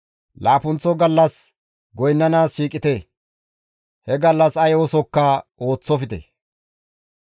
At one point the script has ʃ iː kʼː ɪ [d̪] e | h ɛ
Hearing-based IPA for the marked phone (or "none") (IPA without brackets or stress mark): t̪